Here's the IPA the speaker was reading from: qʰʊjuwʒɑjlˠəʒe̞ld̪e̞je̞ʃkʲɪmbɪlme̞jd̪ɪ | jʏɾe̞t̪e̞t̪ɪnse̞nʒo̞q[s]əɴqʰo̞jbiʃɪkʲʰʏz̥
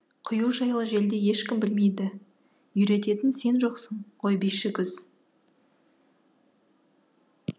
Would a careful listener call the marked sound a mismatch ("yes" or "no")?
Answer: no